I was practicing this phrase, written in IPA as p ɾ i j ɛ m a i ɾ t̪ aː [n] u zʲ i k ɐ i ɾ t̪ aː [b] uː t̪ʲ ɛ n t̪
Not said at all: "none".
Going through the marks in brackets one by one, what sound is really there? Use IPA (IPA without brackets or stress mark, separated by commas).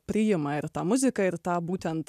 m, b